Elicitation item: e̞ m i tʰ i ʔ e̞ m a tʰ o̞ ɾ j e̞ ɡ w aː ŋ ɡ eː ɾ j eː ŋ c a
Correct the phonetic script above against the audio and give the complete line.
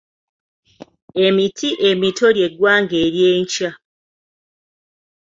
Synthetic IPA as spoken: e̞ m i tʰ i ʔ e̞ m i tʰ o̞ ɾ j e̞ ɡ w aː ŋ ɡ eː ɾ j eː ɲ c a